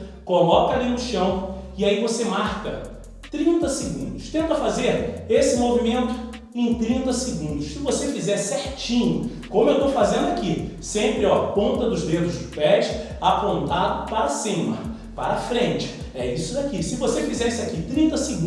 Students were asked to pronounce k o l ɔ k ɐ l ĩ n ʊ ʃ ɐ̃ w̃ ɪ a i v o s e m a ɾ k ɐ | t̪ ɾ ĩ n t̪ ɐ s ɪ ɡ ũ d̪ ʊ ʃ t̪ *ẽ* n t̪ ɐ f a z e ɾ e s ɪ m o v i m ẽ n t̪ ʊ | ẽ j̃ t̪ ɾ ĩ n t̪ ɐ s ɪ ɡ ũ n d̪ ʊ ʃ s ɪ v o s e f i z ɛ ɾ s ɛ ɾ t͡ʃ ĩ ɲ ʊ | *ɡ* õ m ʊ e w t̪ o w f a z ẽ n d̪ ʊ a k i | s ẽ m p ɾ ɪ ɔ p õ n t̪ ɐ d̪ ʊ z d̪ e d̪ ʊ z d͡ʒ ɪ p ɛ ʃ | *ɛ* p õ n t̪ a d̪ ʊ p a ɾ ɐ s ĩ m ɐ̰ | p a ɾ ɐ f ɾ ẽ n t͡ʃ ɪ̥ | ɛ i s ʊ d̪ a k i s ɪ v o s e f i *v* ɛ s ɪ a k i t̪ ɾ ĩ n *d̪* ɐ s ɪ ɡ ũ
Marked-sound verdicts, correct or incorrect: correct, incorrect: k, incorrect: a, incorrect: z, incorrect: t̪

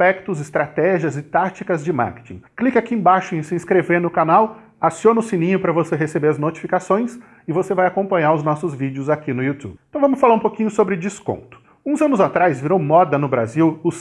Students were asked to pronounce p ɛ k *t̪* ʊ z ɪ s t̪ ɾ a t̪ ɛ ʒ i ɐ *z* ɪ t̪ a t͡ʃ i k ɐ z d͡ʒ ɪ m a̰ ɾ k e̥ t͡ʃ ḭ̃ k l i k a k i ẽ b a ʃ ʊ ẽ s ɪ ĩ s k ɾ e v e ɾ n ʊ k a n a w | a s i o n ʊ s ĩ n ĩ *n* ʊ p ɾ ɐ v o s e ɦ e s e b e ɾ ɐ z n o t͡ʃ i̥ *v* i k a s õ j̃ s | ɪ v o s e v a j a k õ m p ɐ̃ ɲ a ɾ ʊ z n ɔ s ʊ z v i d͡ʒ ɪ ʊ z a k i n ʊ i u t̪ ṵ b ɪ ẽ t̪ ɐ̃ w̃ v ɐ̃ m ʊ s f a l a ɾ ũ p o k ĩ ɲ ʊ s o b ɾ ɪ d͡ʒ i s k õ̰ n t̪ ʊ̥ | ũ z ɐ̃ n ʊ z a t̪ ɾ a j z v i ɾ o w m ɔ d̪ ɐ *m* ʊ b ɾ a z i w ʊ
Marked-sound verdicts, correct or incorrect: correct, correct, incorrect: ɲ, incorrect: f, incorrect: n

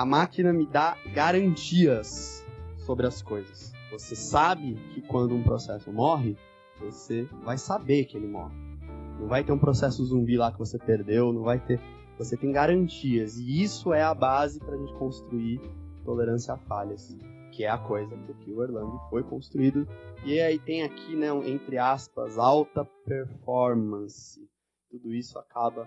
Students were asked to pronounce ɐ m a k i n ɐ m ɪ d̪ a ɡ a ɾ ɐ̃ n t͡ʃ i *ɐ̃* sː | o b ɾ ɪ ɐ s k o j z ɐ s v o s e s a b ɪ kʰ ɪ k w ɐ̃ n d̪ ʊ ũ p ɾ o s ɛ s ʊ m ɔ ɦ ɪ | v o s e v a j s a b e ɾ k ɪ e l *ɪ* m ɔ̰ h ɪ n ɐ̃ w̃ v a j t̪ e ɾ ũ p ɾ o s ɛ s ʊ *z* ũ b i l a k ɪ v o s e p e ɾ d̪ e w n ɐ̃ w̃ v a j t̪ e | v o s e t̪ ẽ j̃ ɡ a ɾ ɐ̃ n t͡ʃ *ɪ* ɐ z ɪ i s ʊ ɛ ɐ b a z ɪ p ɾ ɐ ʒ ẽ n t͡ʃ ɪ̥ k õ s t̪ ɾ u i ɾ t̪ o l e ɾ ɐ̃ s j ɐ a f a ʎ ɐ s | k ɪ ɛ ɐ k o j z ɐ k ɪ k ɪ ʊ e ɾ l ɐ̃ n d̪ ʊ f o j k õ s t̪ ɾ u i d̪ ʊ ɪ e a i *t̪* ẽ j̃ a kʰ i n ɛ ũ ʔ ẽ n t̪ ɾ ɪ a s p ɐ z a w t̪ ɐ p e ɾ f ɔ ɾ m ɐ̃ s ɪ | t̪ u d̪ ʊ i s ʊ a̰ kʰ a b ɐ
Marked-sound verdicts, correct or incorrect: incorrect: ɐ, correct, correct, incorrect: i, correct

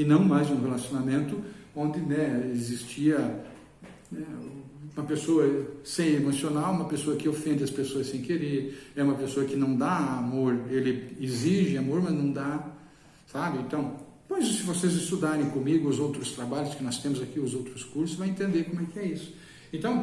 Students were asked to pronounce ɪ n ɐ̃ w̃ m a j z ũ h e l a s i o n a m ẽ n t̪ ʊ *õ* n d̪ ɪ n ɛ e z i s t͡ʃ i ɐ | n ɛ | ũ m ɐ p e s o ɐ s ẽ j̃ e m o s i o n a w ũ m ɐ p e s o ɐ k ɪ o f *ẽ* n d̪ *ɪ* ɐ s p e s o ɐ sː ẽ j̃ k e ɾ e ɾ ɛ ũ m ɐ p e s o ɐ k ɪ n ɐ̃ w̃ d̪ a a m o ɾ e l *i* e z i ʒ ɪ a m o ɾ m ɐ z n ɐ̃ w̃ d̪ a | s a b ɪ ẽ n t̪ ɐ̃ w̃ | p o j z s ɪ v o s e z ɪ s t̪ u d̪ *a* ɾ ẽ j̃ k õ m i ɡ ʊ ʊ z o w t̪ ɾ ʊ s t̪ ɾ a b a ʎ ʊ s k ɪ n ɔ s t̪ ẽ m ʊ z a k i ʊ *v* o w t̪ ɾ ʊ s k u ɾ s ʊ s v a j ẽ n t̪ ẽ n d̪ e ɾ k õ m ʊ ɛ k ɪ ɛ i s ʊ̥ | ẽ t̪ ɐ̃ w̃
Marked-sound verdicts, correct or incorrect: correct, correct, correct, incorrect: ɪ, correct, incorrect: z

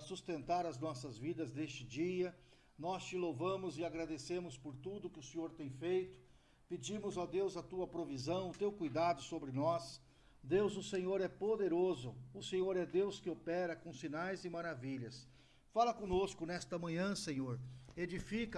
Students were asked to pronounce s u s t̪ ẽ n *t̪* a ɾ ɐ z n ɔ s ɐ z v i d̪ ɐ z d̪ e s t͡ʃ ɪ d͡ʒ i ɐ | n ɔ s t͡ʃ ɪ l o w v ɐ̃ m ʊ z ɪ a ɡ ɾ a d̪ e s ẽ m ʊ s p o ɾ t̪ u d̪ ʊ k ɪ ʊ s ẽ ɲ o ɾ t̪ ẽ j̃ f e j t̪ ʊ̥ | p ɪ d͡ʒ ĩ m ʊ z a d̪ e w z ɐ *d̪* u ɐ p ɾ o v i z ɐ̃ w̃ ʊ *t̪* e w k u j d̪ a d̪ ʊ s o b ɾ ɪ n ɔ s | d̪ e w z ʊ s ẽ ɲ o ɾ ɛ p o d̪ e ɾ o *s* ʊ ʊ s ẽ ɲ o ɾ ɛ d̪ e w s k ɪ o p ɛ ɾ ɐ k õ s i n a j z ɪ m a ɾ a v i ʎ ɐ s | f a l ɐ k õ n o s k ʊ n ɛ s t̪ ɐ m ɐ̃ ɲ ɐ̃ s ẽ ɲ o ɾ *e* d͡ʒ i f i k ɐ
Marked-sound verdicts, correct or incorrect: correct, incorrect: t̪, correct, incorrect: z, correct

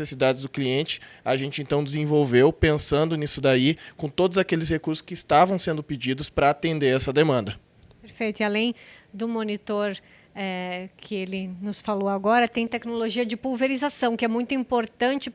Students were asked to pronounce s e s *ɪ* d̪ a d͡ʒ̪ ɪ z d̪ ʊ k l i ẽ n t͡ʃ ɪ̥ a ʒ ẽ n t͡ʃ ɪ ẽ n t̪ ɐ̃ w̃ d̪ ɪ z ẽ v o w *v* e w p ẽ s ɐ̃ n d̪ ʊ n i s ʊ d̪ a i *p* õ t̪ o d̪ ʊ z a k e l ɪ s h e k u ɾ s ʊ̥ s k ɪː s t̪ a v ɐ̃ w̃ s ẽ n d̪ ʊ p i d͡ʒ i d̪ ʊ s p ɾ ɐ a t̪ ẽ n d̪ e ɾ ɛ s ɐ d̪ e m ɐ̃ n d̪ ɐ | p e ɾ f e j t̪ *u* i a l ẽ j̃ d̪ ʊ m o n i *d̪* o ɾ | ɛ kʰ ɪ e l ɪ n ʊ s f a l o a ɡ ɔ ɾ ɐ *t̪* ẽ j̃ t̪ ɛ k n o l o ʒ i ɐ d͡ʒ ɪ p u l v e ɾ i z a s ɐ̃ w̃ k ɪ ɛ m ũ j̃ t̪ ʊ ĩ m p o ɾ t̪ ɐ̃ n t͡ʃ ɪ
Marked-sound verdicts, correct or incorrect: incorrect: i, correct, incorrect: k, incorrect: ʊ, incorrect: t̪, correct

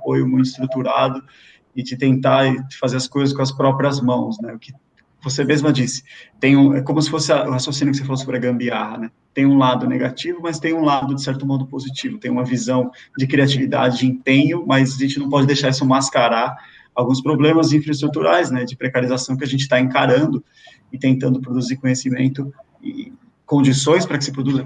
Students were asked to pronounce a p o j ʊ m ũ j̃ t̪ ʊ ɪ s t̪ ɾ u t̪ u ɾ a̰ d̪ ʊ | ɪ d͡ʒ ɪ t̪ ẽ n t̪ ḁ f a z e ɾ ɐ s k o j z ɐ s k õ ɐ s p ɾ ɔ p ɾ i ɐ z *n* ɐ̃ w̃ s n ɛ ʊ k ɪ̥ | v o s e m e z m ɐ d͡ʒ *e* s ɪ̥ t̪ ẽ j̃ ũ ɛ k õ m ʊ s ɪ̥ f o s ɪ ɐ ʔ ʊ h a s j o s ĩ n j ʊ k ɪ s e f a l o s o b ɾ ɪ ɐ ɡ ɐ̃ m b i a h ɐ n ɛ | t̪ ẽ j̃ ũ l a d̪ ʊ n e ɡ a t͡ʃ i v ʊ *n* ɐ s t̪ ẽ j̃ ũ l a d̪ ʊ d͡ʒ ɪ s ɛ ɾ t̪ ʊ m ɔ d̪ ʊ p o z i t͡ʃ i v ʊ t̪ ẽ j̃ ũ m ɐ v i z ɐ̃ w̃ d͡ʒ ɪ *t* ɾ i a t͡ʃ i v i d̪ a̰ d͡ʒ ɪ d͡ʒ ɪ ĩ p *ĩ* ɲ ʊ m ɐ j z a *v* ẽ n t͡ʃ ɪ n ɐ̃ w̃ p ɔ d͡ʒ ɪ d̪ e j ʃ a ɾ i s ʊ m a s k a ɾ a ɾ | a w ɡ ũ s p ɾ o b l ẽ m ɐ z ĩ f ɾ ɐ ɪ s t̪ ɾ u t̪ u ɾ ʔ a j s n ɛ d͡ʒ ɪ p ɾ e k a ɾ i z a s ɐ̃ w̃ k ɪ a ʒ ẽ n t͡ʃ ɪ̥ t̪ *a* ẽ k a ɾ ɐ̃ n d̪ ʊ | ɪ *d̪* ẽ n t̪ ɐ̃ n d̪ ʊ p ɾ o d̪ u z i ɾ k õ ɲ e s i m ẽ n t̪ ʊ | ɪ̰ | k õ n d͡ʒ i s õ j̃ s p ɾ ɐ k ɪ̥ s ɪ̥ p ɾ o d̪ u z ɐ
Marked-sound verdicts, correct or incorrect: incorrect: m, incorrect: i, incorrect: m, incorrect: k, incorrect: ẽ, incorrect: ʒ, correct, incorrect: t̪

